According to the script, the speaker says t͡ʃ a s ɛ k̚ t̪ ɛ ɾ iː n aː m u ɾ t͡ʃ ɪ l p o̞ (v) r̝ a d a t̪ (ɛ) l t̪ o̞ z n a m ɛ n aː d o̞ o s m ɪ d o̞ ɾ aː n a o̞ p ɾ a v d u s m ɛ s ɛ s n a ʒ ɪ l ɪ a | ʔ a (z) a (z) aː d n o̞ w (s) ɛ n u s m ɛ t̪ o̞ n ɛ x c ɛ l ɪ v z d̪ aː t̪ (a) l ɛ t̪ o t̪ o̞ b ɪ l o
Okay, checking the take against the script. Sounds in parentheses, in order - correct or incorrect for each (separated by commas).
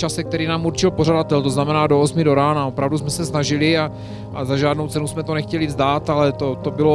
incorrect, correct, correct, incorrect, incorrect, correct